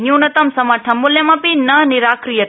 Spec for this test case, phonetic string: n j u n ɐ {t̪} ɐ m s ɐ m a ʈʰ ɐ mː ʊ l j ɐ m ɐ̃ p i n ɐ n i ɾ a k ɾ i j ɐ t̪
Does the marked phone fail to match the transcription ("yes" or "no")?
no